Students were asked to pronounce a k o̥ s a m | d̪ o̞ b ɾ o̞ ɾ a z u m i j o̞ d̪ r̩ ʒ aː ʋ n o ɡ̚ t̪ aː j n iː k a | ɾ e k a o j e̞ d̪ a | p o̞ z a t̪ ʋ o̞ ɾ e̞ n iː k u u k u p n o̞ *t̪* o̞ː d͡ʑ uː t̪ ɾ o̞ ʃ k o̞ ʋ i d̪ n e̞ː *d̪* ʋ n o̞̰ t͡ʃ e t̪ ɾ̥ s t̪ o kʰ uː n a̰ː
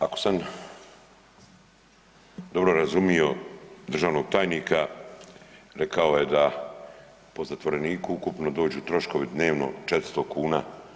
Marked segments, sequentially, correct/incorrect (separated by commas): incorrect, incorrect